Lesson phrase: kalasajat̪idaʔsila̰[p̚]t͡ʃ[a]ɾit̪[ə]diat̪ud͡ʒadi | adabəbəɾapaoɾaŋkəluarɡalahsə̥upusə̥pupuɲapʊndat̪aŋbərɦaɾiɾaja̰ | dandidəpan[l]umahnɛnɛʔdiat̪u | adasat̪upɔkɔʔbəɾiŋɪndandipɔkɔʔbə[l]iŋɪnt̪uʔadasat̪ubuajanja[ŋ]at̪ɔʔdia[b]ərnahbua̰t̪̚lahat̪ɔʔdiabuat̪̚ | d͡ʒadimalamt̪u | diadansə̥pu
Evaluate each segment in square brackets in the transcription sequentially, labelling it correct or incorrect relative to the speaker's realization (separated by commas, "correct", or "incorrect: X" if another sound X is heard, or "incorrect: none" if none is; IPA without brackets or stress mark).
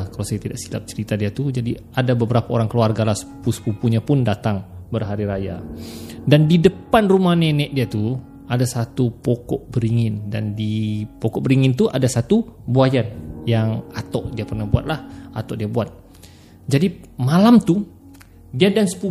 correct, incorrect: ə, incorrect: a, incorrect: r, incorrect: ɾ, correct, incorrect: p